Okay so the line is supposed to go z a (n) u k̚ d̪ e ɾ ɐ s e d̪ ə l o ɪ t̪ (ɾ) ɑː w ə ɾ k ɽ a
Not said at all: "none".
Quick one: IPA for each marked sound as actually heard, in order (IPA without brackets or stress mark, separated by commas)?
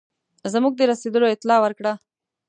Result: m, l